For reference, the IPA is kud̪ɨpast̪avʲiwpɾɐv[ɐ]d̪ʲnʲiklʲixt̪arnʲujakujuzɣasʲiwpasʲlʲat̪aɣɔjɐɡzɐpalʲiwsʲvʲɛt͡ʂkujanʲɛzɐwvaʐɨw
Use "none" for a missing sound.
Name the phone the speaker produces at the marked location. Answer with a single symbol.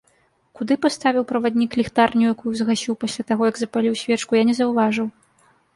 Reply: a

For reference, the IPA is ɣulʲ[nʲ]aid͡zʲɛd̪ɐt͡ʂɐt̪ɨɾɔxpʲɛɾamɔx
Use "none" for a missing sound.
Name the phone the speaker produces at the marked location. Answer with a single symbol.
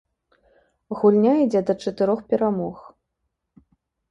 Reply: nʲ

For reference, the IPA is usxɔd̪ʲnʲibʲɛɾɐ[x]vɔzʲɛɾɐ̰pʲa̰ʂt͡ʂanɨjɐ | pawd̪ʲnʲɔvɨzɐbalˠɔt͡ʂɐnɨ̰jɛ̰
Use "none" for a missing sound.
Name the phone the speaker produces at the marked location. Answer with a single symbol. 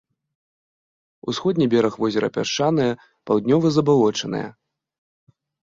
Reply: x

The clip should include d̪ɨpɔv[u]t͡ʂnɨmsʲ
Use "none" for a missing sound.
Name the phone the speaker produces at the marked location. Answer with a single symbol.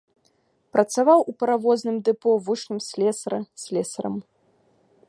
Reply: u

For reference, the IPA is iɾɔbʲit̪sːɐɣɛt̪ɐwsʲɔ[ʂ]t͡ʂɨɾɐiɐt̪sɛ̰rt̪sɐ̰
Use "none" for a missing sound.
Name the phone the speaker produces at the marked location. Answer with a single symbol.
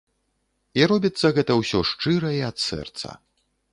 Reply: ʂ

